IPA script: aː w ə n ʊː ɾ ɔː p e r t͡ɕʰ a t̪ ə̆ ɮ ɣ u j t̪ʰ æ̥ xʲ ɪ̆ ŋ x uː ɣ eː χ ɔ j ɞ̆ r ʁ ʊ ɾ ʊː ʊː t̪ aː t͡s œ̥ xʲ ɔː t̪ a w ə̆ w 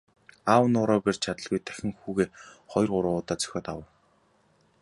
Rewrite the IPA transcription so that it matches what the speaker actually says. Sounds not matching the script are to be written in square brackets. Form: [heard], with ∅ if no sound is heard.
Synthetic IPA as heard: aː w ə n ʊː ɾ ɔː p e r t͡ɕʰ a t̪ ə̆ ɮ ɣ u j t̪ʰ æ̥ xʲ ɪ̆ ŋ x uː ɣ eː χ ɔ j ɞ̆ r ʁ ʊ ɾ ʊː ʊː t̪ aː t͡s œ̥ xʲ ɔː t̪ a w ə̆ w